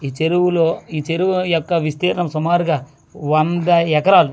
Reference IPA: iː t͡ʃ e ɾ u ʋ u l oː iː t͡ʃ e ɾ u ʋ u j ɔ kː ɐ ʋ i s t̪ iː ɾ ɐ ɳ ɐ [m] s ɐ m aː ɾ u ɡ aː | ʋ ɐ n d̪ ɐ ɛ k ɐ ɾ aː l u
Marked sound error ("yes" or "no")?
no